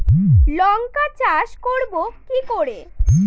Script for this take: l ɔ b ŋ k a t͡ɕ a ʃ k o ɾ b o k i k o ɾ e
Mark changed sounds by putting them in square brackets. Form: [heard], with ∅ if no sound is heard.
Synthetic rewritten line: l ɔ [∅] ŋ k a t͡ɕ a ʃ k o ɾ b o k i k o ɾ e